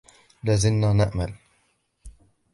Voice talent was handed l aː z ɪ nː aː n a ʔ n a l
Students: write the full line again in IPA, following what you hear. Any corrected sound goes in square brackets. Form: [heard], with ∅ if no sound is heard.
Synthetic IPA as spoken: l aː z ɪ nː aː n a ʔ [m] a l